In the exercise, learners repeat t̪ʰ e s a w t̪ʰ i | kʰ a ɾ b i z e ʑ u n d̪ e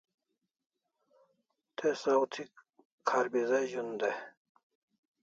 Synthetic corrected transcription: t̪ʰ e s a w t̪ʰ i | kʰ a ɾ b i z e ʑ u n d̪ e